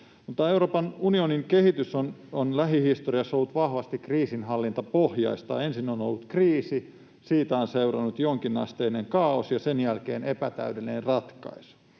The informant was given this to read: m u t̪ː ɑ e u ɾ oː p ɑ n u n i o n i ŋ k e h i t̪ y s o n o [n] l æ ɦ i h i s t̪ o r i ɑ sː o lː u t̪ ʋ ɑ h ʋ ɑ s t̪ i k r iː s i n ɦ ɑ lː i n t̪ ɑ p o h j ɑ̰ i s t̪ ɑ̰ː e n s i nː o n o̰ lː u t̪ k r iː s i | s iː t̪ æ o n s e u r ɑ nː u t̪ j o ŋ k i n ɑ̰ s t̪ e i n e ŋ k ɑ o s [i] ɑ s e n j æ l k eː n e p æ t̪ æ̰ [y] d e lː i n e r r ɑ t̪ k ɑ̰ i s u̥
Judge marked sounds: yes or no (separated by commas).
yes, no, yes